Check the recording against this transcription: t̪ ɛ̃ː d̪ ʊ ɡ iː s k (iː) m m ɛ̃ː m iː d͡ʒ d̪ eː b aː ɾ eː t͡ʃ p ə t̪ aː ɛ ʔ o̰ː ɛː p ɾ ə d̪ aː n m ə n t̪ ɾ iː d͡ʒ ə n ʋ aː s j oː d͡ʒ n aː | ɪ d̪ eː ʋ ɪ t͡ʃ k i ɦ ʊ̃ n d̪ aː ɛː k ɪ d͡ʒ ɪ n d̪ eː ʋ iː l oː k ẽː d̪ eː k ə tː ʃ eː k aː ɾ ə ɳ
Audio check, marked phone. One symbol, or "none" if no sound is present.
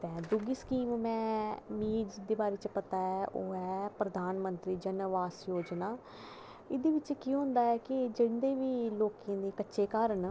iː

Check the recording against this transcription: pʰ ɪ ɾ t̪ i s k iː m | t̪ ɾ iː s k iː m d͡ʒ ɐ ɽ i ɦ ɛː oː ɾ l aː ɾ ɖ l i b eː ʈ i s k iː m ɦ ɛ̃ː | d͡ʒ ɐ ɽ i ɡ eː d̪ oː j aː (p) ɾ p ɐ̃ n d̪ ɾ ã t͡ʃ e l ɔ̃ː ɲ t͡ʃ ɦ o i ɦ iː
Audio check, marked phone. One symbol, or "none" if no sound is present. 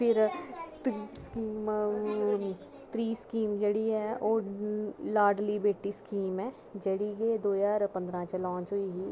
none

